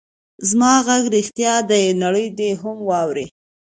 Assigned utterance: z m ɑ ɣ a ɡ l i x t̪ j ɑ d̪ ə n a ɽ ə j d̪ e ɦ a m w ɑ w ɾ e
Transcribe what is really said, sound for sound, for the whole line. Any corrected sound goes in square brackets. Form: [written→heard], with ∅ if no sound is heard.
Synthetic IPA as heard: z m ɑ ɣ a ɡ [l→ɾ] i x t̪ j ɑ d̪ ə n a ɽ ə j d̪ e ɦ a m w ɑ w ɾ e